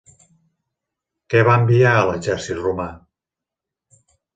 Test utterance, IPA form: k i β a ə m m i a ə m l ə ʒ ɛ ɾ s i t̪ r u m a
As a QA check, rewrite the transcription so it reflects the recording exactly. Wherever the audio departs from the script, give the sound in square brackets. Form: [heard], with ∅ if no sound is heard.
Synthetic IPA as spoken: k [ɛ] β a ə m [b] i a ə [∅] l ə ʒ ɛ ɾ s i t̪ r u m a